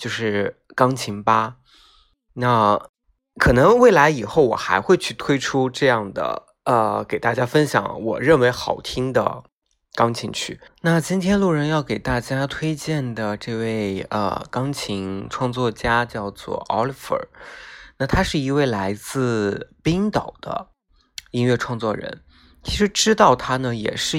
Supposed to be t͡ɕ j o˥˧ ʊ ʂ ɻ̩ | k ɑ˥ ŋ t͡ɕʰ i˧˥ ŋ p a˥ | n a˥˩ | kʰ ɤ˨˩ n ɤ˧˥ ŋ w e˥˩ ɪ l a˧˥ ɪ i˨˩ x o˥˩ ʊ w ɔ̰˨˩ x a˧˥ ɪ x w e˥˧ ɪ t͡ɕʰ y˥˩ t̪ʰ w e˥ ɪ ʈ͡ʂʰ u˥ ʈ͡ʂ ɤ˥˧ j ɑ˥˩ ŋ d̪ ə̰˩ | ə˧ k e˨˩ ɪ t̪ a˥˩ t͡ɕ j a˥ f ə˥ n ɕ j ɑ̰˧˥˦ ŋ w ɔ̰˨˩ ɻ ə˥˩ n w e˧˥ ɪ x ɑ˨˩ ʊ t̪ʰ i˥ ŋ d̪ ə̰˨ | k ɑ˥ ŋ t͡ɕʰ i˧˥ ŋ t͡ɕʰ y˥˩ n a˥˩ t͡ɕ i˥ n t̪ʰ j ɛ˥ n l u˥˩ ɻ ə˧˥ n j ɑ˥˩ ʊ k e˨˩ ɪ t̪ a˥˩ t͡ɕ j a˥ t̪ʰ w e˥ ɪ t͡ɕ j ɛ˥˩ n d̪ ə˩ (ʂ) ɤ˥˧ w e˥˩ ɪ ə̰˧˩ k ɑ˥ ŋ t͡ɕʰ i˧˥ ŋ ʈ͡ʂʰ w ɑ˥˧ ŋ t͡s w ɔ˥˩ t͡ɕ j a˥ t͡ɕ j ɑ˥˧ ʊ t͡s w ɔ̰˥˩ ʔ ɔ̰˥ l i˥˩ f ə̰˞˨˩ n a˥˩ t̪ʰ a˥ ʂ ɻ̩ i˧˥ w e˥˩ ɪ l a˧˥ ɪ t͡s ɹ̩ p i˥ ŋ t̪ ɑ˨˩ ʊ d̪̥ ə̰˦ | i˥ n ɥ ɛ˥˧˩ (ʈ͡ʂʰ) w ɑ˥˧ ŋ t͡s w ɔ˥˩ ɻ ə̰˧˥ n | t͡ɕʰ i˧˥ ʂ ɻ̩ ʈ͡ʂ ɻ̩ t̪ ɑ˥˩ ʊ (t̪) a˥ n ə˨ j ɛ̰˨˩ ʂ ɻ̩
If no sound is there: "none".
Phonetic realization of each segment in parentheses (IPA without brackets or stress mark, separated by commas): ʈ͡ʂ, ʈ͡ʂʰ, t̪ʰ